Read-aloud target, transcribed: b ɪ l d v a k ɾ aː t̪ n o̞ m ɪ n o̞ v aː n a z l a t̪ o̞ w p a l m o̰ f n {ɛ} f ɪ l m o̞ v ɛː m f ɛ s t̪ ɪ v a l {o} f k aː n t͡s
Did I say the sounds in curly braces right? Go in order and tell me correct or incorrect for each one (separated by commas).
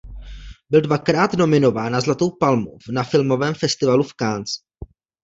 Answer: incorrect, incorrect